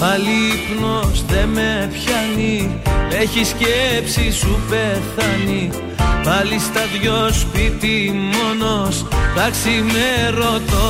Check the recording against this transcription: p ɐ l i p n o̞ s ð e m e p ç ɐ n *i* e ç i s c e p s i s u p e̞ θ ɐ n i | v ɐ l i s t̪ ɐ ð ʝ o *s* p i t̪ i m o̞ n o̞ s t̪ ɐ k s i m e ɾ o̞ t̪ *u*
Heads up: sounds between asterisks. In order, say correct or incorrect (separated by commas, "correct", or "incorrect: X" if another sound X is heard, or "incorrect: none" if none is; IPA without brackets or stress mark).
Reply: correct, correct, incorrect: o